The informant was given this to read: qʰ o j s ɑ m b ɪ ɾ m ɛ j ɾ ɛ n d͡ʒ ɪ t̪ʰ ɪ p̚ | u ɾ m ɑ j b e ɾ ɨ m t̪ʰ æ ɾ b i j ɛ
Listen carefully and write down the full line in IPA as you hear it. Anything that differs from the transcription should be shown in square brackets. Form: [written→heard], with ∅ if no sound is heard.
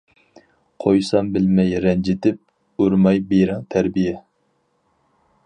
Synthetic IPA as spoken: qʰ o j s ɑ m b ɪ [ɾ→l] m ɛ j ɾ ɛ n d͡ʒ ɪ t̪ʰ ɪ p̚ | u ɾ m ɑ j b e ɾ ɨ [m→ŋ] t̪ʰ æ ɾ b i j ɛ